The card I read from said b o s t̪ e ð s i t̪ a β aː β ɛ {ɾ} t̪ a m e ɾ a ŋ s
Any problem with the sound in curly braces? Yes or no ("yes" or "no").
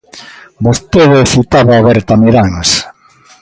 no